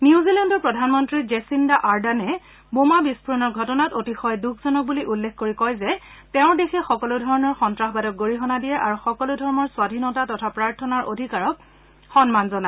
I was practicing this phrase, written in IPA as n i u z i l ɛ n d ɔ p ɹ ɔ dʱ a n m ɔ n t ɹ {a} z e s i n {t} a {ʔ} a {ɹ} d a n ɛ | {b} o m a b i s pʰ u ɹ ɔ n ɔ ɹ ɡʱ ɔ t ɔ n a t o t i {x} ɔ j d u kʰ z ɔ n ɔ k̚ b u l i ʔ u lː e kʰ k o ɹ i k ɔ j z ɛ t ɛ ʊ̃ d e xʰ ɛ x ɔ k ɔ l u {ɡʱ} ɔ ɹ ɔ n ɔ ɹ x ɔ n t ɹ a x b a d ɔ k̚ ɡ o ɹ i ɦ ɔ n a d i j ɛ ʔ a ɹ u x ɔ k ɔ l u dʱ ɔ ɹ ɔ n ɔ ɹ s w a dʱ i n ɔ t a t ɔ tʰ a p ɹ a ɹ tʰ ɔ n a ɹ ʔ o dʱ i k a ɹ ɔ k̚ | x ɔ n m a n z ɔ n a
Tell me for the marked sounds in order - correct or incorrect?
incorrect, incorrect, correct, correct, correct, correct, incorrect

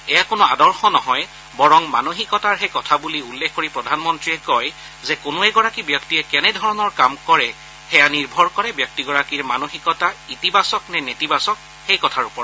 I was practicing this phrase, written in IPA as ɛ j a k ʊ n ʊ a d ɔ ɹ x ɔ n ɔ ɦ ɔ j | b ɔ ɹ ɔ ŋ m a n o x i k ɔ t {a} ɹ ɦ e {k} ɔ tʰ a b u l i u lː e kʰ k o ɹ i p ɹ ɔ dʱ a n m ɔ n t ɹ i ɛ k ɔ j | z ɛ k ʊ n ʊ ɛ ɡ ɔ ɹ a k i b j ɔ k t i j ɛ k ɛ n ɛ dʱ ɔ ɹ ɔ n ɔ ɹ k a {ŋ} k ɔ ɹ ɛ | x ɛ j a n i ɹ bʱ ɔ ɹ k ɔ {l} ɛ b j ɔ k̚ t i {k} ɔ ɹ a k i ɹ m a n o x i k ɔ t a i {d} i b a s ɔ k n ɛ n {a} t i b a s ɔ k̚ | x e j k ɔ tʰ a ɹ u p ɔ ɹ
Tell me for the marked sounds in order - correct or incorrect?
correct, correct, incorrect, incorrect, incorrect, incorrect, incorrect

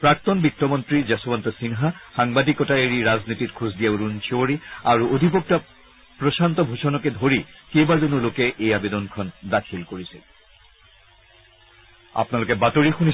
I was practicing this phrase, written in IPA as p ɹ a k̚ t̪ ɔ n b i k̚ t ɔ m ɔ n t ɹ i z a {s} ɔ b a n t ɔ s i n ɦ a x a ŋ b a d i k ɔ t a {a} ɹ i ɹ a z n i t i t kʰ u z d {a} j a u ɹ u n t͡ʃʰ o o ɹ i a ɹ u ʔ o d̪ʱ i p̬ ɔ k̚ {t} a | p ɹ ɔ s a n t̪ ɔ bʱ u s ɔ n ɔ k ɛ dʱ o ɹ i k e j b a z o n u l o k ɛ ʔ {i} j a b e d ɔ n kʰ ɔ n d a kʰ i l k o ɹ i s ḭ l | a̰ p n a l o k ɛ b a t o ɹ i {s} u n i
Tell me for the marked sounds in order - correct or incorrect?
correct, incorrect, incorrect, correct, incorrect, incorrect

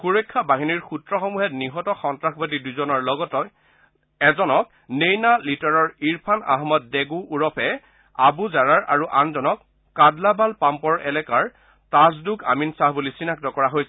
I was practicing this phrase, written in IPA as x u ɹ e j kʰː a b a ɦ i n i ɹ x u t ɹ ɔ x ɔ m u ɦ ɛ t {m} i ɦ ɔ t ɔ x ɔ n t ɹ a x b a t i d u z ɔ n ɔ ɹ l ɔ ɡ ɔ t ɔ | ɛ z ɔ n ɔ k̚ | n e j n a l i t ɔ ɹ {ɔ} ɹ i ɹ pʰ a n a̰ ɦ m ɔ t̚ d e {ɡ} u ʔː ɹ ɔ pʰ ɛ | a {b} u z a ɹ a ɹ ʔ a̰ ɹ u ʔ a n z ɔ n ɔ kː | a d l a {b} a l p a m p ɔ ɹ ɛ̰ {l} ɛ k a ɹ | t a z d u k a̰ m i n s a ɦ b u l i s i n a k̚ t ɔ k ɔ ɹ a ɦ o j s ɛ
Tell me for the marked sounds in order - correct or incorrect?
incorrect, correct, correct, correct, correct, correct

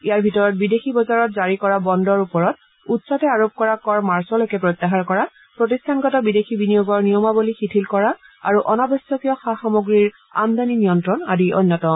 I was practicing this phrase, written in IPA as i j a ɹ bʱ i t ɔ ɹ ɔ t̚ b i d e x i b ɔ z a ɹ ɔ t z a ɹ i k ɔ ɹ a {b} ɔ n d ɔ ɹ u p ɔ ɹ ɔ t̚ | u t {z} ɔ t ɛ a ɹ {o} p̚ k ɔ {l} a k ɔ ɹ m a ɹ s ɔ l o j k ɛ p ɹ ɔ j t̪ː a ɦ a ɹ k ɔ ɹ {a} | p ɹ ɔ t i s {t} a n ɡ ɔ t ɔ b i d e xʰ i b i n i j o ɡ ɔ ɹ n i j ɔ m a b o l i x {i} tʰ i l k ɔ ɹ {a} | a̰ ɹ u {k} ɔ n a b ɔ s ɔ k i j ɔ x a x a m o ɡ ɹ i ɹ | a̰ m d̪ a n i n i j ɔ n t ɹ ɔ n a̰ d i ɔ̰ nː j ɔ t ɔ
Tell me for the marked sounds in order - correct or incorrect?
correct, incorrect, correct, incorrect, correct, incorrect, correct, correct, incorrect

